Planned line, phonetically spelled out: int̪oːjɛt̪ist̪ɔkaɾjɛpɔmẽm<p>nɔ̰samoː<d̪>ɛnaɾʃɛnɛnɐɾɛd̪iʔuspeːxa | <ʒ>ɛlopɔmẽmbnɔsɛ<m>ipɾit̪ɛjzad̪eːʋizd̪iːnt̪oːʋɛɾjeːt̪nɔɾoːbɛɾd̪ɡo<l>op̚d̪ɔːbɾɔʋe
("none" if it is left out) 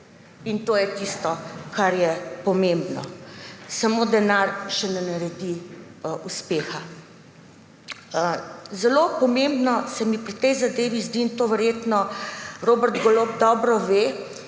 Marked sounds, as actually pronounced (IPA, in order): b, d̪, z, m, l

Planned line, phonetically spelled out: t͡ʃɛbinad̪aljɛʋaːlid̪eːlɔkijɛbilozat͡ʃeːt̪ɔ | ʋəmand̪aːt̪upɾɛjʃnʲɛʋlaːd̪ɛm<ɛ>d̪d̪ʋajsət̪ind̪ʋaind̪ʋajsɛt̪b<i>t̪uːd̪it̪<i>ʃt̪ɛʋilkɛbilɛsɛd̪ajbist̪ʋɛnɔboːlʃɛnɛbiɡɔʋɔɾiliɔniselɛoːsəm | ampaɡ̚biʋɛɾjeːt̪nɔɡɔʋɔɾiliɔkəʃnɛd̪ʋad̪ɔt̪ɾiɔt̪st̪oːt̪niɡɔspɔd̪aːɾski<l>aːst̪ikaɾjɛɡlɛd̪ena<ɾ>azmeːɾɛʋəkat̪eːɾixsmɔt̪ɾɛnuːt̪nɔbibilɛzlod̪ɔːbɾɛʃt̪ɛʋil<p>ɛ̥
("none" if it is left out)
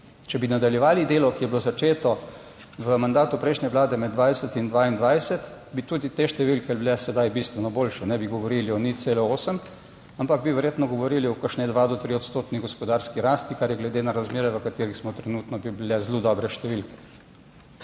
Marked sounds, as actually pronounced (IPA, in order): ɛ, i, e, ɾ, ɾ, k

